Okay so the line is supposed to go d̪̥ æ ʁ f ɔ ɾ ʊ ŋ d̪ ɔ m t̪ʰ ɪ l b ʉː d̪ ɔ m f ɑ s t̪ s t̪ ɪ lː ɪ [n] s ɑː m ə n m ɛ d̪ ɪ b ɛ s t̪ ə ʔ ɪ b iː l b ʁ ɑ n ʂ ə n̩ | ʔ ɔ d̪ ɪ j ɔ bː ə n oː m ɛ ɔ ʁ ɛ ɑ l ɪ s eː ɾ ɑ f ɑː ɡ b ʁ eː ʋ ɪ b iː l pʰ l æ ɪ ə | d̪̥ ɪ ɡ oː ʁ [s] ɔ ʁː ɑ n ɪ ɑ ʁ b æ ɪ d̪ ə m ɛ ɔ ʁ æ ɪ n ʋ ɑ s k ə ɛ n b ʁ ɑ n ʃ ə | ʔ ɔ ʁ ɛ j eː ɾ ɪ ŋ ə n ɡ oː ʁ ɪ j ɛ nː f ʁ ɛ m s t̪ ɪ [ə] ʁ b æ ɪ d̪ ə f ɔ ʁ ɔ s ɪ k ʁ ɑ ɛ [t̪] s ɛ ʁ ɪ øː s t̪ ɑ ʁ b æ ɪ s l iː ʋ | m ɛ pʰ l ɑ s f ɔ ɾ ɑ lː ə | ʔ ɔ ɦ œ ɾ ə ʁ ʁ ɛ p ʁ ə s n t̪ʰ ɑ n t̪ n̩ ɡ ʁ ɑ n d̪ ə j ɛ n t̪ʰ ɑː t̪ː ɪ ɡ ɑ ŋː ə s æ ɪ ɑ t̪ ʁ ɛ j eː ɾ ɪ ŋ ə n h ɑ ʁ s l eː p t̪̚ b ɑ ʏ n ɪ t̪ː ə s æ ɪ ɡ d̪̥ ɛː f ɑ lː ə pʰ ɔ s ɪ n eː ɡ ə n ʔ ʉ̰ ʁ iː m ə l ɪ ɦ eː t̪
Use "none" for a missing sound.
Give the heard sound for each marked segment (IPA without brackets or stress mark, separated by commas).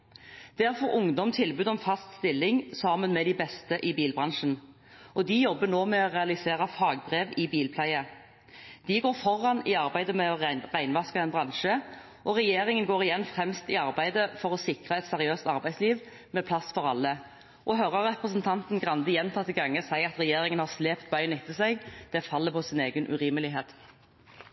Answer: ŋ, f, ɑ, t̪